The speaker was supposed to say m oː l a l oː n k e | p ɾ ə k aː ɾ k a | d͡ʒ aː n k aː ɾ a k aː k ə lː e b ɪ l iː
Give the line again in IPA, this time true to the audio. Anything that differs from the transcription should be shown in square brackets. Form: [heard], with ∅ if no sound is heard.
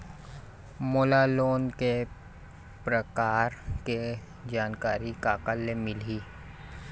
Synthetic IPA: m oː l a l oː n k e | p ɾ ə k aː ɾ k [e] | d͡ʒ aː n k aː ɾ [i] k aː k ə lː e [m] ɪ l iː